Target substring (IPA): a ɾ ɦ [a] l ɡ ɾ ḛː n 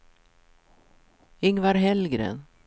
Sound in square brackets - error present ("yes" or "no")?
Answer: yes